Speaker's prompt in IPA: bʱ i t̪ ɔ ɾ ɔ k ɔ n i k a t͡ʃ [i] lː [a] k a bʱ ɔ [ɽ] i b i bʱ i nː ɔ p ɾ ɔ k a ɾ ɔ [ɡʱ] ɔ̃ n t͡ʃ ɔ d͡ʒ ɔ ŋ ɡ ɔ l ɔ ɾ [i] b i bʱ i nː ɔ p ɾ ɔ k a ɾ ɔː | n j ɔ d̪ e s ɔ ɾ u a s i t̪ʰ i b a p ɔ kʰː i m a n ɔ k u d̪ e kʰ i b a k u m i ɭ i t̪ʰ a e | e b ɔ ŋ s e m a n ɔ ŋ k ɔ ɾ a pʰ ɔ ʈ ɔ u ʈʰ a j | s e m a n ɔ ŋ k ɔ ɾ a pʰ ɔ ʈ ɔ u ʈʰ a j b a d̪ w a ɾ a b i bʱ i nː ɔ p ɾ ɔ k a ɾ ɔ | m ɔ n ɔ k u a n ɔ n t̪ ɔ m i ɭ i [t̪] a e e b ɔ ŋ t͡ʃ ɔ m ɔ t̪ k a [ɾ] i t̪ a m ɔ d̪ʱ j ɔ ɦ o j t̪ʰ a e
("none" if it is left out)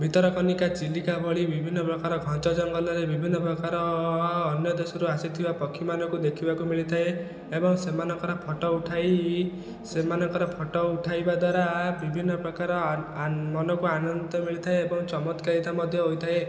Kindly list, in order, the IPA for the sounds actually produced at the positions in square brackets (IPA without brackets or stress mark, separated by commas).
i, i, ɭ, ɡʱ, e, t̪ʰ, ɾ